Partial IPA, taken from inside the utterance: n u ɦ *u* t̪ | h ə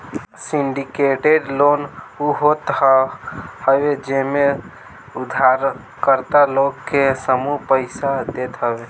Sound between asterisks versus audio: incorrect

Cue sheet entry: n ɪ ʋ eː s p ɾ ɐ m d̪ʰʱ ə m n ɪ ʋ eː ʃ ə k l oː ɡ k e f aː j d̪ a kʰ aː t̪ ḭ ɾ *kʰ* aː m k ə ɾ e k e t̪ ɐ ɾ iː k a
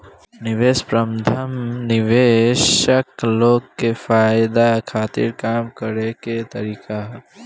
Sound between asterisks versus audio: incorrect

